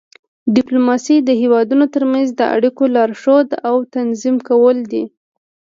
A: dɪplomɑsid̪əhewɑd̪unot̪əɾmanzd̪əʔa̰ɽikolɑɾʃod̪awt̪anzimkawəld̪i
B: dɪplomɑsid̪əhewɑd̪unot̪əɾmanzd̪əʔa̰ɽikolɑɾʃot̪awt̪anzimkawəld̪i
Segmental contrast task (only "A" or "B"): A